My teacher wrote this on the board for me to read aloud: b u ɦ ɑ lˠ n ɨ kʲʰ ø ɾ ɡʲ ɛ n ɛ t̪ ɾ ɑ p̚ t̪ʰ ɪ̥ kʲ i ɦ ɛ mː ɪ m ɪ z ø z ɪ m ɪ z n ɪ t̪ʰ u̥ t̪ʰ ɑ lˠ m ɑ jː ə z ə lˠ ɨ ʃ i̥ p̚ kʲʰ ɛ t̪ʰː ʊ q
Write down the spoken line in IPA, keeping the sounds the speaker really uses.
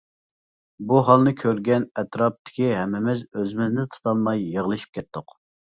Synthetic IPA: b u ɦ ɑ lˠ n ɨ kʲʰ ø ɾ ɡʲ ɛ n ɛ t̪ ɾ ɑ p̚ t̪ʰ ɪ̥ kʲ i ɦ ɛ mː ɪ m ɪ z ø z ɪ m ɪ z n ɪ t̪ʰ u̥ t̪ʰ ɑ lˠ m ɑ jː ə ʁ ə lˠ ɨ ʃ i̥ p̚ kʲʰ ɛ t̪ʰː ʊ q